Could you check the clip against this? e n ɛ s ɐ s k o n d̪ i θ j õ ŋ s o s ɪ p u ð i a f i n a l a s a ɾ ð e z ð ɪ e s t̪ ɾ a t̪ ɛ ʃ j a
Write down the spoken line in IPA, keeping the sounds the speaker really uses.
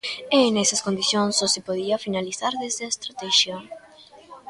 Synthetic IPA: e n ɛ s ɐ s k o n d̪ i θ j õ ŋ s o s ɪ p o ð i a f i n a l i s a ɾ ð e z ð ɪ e s t̪ ɾ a t̪ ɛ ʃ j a